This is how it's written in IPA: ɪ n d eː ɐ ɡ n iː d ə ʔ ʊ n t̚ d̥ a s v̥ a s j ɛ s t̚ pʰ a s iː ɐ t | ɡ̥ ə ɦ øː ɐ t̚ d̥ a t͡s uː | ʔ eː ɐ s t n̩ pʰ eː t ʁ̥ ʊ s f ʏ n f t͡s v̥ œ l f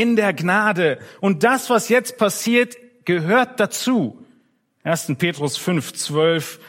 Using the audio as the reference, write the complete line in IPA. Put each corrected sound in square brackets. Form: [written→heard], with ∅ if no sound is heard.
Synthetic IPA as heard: ɪ n d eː ɐ ɡ n [iː→aː] d ə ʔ ʊ n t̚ d̥ a s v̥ a s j ɛ [s→t͡s] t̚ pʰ a s iː ɐ t | ɡ̥ ə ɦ øː ɐ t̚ d̥ a t͡s uː | ʔ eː ɐ s t n̩ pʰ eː t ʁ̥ ʊ s f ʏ n f t͡s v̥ œ l f